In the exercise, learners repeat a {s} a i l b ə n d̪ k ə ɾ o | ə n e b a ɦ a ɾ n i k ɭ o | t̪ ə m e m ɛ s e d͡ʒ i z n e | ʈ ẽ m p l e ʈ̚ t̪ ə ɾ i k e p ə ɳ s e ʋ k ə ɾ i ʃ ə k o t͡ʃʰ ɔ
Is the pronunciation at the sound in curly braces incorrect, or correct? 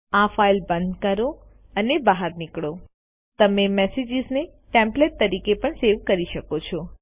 incorrect